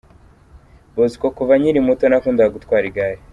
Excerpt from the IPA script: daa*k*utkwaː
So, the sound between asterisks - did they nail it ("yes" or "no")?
no